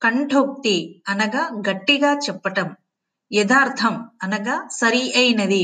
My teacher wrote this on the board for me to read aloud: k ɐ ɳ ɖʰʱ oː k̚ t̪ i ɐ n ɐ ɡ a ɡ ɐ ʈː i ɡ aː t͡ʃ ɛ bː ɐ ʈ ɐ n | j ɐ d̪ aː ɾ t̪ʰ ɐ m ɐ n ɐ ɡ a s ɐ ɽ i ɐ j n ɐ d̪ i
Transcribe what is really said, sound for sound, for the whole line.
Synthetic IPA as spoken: k ɐ ɳ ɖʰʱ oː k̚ t̪ i ɐ n ɐ ɡ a ɡ ɐ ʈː i ɡ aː t͡ʃ ɛ pː ɐ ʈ ɐ m | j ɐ d̪ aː ɾ t̪ʰ ɐ m ɐ n ɐ ɡ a s ɐ ɾ i ɐ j n ɐ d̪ i